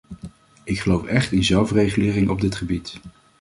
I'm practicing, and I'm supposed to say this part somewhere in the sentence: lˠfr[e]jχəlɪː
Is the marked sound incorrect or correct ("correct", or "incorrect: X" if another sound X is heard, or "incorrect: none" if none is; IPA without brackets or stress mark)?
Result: correct